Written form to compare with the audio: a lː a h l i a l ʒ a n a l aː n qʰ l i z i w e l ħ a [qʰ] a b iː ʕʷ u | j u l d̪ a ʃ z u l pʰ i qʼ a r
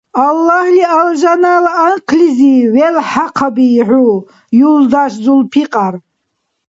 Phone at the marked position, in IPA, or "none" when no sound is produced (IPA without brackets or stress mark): qʰ